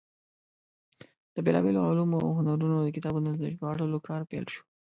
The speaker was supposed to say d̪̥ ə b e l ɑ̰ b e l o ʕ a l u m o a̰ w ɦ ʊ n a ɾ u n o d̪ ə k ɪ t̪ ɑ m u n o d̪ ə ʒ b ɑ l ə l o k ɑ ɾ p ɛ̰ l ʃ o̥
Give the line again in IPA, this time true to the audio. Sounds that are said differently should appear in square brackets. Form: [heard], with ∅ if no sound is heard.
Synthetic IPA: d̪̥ ə b e l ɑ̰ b e l o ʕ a l u m o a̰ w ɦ ʊ n a ɾ u n o d̪ ə k ɪ t̪ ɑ [b] u n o d̪ ə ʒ b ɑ [ɽ] ə l o k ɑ ɾ p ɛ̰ l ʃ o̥